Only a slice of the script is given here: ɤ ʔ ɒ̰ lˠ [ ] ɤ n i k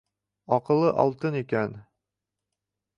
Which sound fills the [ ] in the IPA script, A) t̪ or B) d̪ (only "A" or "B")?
A